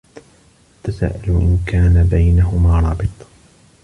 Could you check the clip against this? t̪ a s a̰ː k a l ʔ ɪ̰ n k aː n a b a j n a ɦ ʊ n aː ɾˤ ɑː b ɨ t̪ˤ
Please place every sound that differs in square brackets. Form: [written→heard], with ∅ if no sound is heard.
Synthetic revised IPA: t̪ a s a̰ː [k→ʔ] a l ʔ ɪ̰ n k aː n a b a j n a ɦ ʊ [n→m] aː ɾˤ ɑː b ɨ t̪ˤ